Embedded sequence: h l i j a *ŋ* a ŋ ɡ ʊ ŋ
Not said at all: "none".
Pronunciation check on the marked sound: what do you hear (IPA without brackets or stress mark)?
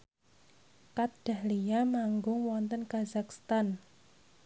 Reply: m